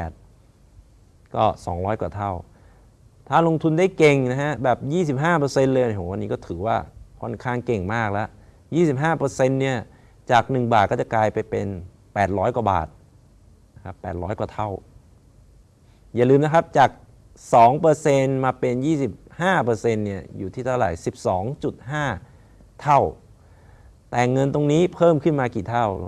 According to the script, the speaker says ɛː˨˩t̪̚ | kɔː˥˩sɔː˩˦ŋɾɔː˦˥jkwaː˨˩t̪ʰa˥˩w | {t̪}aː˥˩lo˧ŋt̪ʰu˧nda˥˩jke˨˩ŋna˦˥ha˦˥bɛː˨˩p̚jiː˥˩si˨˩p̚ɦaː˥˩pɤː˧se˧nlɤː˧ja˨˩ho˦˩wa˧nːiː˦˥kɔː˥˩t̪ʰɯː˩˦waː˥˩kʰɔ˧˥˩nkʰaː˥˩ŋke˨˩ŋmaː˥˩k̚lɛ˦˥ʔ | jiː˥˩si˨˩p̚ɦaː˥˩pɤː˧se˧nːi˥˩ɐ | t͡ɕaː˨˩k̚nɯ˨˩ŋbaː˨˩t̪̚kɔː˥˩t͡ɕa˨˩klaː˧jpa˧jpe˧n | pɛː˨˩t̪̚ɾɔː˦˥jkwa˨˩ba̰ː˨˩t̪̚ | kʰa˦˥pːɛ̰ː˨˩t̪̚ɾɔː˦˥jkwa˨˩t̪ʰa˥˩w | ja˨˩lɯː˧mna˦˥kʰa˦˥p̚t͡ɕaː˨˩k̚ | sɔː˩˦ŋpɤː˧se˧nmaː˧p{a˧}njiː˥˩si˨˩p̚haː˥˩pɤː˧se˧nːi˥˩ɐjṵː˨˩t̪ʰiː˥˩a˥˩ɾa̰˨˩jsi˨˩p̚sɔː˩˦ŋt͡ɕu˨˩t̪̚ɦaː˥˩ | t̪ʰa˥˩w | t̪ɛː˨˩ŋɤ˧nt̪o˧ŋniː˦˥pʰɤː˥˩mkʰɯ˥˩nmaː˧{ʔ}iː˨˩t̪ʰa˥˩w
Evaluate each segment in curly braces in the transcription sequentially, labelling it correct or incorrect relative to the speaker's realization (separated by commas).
incorrect, incorrect, incorrect